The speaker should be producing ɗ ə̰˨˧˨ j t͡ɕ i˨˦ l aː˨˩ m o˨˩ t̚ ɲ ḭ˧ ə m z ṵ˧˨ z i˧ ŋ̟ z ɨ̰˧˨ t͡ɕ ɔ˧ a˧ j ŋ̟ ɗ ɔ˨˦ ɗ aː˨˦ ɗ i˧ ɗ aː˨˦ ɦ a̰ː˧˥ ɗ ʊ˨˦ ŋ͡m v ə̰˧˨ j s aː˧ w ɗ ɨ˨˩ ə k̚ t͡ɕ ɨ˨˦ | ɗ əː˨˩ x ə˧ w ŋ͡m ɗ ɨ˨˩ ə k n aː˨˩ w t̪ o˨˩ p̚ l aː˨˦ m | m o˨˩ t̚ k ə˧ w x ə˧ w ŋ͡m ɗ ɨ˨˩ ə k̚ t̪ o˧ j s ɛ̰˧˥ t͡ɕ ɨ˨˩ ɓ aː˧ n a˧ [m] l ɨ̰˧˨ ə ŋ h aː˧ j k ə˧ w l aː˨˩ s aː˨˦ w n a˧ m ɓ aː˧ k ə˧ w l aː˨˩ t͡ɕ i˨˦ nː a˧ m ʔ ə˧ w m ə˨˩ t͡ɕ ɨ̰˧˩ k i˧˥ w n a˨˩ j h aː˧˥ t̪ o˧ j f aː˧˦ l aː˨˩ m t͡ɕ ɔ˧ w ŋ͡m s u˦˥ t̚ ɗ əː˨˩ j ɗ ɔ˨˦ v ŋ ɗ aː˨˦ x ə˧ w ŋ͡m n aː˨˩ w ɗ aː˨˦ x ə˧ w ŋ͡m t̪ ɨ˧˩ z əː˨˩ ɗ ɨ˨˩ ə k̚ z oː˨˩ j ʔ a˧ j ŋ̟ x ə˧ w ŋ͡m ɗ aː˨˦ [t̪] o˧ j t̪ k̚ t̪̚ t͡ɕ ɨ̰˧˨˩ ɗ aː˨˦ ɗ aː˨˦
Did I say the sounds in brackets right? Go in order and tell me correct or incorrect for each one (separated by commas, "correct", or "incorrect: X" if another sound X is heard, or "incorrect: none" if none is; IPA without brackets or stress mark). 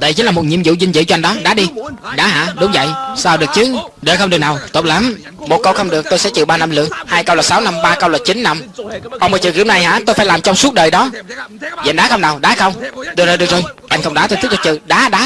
correct, correct